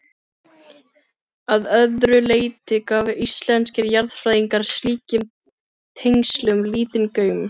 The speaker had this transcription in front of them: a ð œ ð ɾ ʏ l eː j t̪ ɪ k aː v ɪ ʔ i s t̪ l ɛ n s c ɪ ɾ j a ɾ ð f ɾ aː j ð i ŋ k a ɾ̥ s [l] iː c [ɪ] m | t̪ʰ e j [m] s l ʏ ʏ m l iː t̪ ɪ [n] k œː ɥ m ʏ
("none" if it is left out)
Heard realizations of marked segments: l, ɪ, ŋ, n

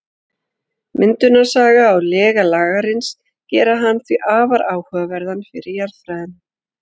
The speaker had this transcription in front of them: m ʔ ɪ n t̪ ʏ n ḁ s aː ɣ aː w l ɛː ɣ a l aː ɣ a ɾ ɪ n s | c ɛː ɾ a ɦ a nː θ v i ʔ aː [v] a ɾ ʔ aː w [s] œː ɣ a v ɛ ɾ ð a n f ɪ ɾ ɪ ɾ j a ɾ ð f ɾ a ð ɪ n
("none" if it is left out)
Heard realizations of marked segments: v, h

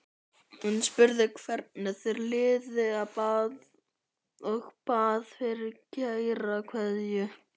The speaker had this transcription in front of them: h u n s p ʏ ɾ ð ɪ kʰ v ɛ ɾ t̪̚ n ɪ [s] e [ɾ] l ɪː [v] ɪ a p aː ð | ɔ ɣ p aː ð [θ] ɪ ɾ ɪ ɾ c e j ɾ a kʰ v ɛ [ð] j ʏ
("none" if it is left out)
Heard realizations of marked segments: θ, ɾ, ð, f, ð

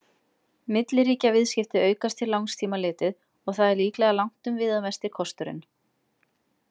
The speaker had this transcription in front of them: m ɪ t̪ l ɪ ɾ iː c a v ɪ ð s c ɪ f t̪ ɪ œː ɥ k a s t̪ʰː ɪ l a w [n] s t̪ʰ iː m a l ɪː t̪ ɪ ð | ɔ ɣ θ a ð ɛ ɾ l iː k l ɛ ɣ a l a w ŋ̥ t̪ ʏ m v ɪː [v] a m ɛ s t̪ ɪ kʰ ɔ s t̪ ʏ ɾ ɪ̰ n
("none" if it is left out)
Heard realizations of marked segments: ŋ, ð

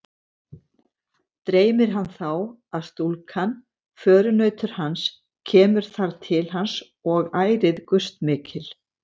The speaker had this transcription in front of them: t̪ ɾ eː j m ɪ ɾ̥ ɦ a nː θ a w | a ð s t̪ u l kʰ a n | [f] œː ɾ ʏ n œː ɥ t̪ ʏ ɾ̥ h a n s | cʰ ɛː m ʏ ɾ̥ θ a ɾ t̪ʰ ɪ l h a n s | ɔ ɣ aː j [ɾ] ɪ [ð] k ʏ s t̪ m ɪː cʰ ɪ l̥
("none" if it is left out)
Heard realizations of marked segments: f, ɾ, ð

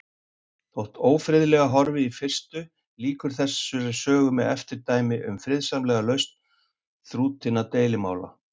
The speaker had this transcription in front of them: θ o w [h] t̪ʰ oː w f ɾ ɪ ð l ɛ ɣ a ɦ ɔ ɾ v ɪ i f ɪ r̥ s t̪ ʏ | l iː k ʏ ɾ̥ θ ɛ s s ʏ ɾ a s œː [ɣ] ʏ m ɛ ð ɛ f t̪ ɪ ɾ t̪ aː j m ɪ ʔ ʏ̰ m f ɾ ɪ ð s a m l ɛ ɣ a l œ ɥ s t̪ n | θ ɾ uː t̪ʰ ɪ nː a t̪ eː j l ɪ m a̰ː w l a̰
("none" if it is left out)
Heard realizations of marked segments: h, ɣ

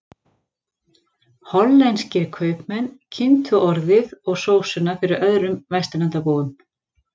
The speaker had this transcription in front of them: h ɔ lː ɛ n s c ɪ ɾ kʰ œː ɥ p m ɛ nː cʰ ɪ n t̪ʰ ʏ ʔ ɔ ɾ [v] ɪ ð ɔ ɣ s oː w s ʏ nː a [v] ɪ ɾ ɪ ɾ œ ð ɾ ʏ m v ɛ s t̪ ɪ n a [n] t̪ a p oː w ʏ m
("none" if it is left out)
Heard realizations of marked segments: ð, f, n

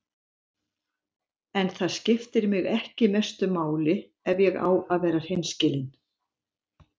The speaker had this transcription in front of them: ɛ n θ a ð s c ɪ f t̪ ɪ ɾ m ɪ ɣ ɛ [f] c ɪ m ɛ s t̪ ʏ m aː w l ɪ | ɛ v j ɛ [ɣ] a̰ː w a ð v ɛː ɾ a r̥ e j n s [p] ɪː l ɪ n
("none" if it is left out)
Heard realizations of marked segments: h, ɣ, c

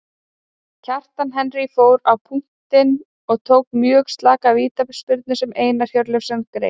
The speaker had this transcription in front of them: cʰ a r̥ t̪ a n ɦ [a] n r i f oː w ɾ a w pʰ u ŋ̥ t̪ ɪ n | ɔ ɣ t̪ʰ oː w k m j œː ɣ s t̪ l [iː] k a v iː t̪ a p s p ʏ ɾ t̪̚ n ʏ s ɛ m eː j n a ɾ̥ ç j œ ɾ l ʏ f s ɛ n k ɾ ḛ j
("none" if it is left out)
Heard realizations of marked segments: ɛ, aː

